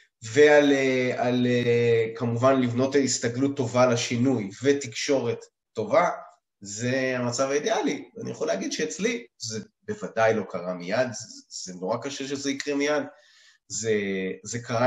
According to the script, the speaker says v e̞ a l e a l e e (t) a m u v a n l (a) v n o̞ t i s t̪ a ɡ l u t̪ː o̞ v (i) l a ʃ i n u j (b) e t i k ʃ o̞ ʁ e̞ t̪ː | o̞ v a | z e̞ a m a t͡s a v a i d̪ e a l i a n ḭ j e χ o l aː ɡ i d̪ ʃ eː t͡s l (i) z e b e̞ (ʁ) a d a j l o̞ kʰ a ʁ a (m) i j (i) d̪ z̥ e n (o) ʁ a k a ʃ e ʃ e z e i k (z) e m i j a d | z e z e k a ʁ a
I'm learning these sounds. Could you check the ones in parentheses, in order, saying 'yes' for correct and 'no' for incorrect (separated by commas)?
no, no, no, no, yes, no, yes, no, yes, no